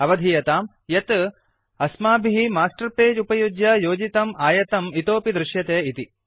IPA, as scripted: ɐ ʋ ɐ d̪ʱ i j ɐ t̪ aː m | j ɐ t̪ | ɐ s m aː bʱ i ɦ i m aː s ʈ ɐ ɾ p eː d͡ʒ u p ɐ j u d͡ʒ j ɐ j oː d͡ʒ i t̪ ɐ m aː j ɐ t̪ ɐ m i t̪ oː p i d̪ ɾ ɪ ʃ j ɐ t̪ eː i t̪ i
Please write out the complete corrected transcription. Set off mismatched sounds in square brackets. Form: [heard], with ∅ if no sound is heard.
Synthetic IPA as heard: ɐ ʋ ɐ d̪ʱ i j ɐ t̪ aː m | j ɐ t̪ | ɐ s m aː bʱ i ɦ i m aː s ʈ ɐ ɾ p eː d͡ʒ u p ɐ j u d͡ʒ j ɐ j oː d͡ʒ i t̪ ɐ m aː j ɐ t̪ ɐ m i t̪ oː p i d̪ ɾ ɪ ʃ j ɐ t̪ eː i t̪ i